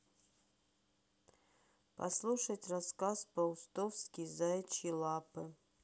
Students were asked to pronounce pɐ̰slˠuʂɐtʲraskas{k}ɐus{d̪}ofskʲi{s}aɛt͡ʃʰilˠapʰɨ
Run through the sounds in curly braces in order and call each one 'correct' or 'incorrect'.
incorrect: p, incorrect: t̪, incorrect: z

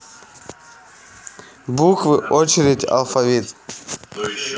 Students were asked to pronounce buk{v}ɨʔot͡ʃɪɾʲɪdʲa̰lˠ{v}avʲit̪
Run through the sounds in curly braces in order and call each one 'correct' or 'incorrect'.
correct, incorrect: f

